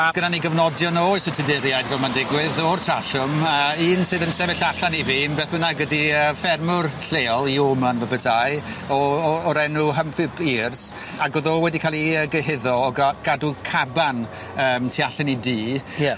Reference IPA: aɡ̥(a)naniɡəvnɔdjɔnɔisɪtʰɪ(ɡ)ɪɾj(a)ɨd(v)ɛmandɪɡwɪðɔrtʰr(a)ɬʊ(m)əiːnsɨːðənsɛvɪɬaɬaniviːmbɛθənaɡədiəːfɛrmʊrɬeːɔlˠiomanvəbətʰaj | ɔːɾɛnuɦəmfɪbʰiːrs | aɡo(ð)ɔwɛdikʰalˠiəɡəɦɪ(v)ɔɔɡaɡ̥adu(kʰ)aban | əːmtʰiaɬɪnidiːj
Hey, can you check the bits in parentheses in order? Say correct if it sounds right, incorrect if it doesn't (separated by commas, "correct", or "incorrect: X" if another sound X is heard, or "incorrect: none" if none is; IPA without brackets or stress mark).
incorrect: ə, incorrect: d, correct, correct, correct, correct, correct, incorrect: ð, correct